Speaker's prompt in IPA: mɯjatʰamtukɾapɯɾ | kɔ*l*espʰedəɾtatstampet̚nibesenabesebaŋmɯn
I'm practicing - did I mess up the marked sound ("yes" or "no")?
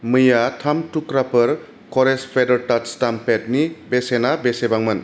yes